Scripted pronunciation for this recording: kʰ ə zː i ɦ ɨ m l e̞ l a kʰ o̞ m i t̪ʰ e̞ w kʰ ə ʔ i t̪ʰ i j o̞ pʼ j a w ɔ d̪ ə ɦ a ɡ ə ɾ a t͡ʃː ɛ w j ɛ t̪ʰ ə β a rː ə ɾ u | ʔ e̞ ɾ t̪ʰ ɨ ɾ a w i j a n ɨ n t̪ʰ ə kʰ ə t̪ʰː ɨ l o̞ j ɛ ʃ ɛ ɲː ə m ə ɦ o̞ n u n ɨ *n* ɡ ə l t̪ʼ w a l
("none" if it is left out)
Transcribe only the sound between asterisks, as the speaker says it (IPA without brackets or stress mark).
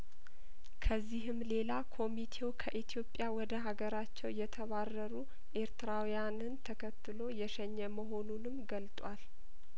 m